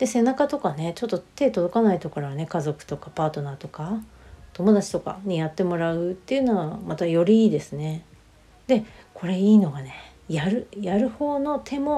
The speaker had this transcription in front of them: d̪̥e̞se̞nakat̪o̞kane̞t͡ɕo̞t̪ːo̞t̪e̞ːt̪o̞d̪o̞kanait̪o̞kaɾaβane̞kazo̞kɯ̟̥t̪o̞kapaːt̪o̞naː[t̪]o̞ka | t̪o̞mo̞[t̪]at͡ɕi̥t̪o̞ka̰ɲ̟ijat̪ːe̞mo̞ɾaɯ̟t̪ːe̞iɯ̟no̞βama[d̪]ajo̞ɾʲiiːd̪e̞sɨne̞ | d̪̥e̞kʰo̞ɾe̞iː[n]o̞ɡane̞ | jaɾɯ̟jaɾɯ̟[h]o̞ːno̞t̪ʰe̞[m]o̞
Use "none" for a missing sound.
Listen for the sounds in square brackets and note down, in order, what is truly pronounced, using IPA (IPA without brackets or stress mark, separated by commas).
t̪, d̪, t̪, n, h, m